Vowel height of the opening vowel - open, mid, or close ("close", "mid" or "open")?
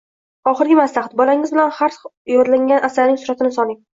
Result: open